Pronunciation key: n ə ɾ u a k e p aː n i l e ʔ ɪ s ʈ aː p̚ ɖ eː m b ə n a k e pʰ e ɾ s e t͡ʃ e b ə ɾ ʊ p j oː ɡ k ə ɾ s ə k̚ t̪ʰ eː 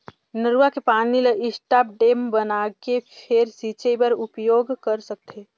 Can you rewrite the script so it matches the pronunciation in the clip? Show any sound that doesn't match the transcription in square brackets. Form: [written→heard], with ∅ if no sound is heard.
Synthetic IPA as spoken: n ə ɾ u a k e p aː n i l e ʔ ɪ s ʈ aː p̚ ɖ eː m b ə n a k e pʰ e ɾ s [e→i] t͡ʃ e b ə ɾ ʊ p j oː ɡ k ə ɾ s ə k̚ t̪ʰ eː